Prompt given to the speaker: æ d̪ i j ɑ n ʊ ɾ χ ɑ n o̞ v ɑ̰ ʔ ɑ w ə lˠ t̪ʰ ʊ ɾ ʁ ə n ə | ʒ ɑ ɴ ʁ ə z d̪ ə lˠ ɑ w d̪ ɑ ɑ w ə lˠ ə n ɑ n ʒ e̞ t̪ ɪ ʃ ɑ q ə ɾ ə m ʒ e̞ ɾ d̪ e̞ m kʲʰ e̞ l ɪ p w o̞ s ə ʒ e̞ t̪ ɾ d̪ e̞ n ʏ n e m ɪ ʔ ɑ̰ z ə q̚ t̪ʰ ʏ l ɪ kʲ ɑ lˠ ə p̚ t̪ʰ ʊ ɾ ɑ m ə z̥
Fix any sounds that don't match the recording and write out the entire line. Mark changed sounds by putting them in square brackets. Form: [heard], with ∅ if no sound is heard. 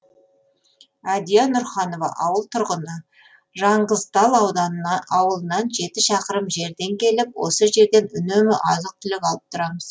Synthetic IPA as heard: æ d̪ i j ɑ n ʊ ɾ χ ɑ n o̞ v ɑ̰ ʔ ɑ w ə lˠ t̪ʰ ʊ ɾ ʁ ə n ə | ʒ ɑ ɴ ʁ ə z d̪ [ɑ] lˠ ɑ w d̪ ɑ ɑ w ə lˠ ə n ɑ n ʒ e̞ t̪ ɪ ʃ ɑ q ə ɾ ə m ʒ e̞ ɾ d̪ e̞ [ŋ] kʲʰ e̞ l ɪ p w o̞ s ə ʒ e̞ [∅] ɾ d̪ e̞ n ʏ n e m ɪ ʔ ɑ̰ z ə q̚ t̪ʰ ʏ l ɪ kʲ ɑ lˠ ə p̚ t̪ʰ ʊ ɾ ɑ m ə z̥